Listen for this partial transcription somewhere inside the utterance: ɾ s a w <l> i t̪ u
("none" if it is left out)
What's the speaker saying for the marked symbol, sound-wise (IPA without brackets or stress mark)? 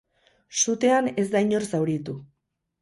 ɾ